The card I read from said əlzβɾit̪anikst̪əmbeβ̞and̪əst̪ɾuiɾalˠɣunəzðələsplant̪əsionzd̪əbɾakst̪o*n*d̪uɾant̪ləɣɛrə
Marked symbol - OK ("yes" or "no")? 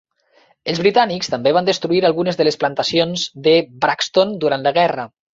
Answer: yes